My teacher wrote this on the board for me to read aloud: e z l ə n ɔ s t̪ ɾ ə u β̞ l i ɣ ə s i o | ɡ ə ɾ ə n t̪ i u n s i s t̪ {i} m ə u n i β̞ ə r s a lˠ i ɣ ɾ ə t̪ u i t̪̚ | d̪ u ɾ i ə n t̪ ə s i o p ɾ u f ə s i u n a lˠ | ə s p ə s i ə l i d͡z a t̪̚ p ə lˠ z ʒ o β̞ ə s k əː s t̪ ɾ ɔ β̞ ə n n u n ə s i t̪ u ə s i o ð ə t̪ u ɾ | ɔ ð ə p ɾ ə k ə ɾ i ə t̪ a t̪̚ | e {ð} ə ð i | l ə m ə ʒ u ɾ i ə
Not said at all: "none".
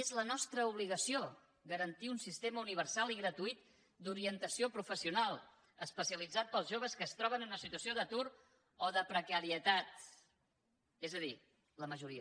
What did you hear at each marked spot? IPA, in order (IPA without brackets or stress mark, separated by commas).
e, z